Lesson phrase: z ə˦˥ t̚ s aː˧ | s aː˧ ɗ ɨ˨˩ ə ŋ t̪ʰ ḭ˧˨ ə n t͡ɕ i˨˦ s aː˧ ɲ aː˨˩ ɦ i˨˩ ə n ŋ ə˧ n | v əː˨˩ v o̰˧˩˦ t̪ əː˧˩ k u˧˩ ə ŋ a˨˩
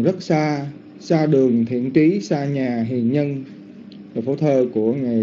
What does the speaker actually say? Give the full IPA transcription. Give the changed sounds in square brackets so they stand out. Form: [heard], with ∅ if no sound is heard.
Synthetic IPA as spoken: z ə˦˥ t̚ s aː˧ | s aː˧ ɗ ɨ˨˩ ə ŋ t̪ʰ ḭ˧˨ ə n t͡ɕ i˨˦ s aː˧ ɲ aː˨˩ ɦ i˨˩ ə n [ɲ] ə˧ n | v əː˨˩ [f] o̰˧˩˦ [t̪ʰ] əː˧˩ k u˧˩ ə ŋ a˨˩

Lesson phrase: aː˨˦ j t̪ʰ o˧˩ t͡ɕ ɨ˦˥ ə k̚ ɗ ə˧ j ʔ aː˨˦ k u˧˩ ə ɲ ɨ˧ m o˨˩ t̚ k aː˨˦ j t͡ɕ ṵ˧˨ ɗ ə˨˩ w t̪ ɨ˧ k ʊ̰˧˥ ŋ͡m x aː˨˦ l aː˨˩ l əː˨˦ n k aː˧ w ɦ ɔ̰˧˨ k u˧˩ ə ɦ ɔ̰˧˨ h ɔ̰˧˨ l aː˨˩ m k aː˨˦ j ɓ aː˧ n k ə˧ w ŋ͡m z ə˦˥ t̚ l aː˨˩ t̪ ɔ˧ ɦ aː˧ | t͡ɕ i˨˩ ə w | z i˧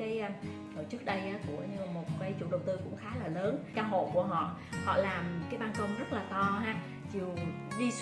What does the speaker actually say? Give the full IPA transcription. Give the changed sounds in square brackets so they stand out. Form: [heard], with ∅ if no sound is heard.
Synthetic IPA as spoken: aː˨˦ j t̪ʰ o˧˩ t͡ɕ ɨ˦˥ ə k̚ ɗ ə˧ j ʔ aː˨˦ k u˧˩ ə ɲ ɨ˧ m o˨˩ t̚ k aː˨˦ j t͡ɕ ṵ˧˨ ɗ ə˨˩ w t̪ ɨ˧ k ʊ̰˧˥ ŋ͡m x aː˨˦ l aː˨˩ l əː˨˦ n k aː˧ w ɦ [o̰˧˨] k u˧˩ ə ɦ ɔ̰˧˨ h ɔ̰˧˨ l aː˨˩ m k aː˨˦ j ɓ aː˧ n k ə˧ w ŋ͡m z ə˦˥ t̚ l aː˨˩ t̪ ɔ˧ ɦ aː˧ | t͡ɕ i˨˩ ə w | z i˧

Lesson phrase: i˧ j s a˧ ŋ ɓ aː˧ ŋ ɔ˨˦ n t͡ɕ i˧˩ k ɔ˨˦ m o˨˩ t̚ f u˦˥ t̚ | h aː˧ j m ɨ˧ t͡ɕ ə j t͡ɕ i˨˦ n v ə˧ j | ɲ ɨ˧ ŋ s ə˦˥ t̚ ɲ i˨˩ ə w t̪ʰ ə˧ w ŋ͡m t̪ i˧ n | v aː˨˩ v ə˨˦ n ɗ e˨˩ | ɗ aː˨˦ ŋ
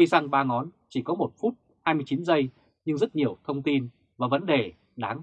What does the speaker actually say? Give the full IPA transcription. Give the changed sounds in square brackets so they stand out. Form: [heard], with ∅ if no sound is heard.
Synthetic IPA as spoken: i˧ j s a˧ ŋ ɓ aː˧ ŋ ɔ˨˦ n t͡ɕ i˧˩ k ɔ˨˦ m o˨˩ t̚ f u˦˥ t̚ | h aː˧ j m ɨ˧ [∅] ə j t͡ɕ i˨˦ n [z] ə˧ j | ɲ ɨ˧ ŋ [z] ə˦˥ t̚ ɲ i˨˩ ə w t̪ʰ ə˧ w ŋ͡m t̪ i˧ n | v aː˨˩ v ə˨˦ n ɗ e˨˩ | ɗ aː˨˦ ŋ

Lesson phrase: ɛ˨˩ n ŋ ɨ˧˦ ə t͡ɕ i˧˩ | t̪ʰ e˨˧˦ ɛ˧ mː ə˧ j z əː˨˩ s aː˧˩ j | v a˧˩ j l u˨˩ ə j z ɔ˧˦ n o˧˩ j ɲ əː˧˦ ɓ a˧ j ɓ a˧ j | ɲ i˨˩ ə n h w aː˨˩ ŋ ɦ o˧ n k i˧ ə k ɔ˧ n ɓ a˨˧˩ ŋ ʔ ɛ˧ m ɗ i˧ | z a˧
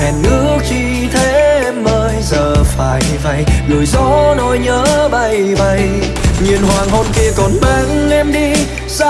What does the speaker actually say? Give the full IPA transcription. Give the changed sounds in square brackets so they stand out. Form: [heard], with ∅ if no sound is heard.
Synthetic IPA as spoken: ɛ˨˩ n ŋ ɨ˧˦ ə t͡ɕ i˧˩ | t̪ʰ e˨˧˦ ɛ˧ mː [əː˧] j z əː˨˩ [f] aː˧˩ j | v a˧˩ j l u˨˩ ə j z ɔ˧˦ n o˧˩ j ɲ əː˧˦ ɓ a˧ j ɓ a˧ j | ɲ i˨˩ ə n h w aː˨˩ ŋ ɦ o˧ n k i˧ ə k [ɔ˨˩] n ɓ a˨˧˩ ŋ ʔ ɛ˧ m ɗ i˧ | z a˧

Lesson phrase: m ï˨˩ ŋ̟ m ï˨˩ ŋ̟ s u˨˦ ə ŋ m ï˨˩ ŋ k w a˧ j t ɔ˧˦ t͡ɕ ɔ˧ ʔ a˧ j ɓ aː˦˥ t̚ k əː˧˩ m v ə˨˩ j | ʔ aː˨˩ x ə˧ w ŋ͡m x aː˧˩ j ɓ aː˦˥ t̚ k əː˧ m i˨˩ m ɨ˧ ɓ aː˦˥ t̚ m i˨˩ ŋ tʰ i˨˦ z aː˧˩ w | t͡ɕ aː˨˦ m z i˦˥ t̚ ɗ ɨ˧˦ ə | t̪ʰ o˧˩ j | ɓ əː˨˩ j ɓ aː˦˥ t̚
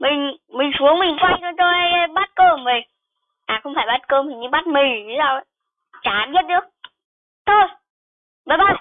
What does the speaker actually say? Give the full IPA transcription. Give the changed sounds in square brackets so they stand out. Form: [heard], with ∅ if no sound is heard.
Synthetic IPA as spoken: m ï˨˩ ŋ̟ m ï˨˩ ŋ̟ s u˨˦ ə ŋ m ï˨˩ ŋ k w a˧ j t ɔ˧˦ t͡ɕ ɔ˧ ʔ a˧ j ɓ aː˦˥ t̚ k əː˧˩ m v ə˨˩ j | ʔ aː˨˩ x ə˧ w ŋ͡m [f] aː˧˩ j ɓ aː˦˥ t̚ k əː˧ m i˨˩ [ɲ] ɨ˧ ɓ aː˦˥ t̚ m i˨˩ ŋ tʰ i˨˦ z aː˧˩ w | t͡ɕ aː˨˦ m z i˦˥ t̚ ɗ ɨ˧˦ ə | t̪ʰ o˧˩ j | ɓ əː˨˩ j ɓ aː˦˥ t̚

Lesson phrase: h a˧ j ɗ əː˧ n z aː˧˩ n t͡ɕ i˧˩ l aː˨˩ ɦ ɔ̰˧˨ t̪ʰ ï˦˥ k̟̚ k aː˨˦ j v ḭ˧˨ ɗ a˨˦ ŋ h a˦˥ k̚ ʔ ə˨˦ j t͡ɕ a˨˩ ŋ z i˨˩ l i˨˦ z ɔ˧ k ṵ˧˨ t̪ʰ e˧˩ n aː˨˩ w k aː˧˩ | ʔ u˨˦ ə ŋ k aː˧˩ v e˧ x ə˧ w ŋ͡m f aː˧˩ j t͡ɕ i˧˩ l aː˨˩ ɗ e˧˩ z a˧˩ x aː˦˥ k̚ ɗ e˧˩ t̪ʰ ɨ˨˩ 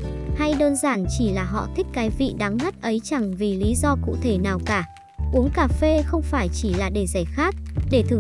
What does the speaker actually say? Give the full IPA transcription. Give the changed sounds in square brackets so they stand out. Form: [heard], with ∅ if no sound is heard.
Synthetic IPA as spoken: h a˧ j ɗ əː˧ n z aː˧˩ n t͡ɕ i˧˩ l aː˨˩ ɦ ɔ̰˧˨ t̪ʰ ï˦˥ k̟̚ k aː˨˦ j v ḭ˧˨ ɗ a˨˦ ŋ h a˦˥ [t̚] ʔ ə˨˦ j t͡ɕ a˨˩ ŋ [v] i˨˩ l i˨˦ z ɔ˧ k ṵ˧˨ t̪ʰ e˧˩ n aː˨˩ w k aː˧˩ | ʔ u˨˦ ə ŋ k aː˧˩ [f] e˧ x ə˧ w ŋ͡m f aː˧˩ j t͡ɕ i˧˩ l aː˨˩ ɗ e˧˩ z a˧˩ x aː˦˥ k̚ ɗ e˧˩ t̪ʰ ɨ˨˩

